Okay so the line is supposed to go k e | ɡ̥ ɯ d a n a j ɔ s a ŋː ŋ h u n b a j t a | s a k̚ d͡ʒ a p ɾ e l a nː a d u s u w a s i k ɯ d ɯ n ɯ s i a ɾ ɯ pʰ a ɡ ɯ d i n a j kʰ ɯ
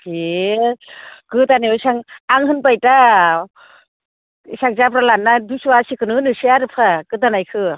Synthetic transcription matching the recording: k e | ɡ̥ ɯ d a n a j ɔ s a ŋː ŋ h ɯ n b a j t a | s a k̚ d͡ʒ a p ɾ a l a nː a d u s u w a s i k ɯ n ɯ n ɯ s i a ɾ ɯ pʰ a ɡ ɯ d a n a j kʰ ɯ